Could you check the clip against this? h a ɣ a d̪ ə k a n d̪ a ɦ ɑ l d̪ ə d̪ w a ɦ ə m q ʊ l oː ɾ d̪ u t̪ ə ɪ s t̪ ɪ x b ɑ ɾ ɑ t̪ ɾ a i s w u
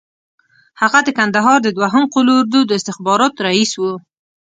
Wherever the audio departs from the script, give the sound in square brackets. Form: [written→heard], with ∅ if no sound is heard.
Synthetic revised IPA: h a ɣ a d̪ ə k a n d̪ a ɦ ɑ [l→ɾ] d̪ ə d̪ w a ɦ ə m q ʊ l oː ɾ d̪ u [t̪→d̪] ə ɪ s t̪ ɪ x b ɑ ɾ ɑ t̪ ɾ a i s w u